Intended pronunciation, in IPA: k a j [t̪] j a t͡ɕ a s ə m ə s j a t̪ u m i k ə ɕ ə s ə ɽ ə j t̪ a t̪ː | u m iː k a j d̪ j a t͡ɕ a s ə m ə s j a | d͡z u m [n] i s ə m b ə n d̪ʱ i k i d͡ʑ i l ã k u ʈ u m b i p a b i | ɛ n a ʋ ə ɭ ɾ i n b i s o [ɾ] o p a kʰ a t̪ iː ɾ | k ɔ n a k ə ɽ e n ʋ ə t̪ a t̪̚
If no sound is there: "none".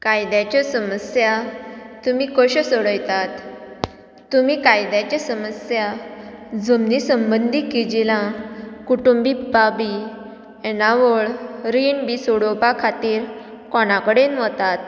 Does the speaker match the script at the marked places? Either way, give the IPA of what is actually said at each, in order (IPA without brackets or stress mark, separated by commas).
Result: d̪, n, ɽ